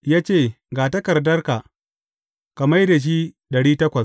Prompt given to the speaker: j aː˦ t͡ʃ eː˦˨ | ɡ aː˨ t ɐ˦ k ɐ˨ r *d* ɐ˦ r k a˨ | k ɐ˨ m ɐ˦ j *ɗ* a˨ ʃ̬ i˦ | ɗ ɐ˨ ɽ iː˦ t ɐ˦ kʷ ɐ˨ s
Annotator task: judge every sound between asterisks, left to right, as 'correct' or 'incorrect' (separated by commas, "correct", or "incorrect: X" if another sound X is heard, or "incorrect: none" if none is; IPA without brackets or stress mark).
correct, incorrect: d